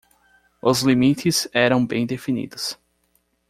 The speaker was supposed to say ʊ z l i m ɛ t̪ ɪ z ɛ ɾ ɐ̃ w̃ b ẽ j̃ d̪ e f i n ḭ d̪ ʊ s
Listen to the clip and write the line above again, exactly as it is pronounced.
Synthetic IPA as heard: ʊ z l i m i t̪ ɪ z ɛ ɾ ɐ̃ w̃ b ẽ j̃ d̪ e f i n ḭ d̪ ʊ s